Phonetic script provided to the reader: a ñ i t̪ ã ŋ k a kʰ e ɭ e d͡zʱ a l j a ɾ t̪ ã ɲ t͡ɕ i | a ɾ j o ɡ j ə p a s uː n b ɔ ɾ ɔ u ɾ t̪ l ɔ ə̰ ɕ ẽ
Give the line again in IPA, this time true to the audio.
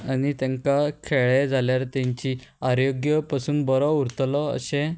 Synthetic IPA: a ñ i t̪ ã ŋ k a kʰ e ɭ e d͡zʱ a l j a ɾ t̪ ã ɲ t͡ɕ i | a ɾ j o ɡ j ə p a s uː n b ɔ ɾ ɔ u ɾ t̪ l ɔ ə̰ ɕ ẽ